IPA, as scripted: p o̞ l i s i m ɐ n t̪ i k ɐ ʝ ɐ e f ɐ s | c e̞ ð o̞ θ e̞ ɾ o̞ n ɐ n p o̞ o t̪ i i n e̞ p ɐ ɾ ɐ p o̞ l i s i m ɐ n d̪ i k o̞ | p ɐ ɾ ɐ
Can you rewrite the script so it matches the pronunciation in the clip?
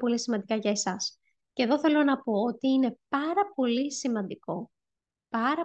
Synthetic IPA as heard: p o̞ l i s i m ɐ n d̪ i k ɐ ʝ ɐ e s ɐ s | c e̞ ð o̞ θ e̞ l o̞ n ɐ p o̞ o t̪ i i n e̞ p ɐ ɾ ɐ p o̞ l i s i m ɐ n d̪ i k o̞ | p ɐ ɾ ɐ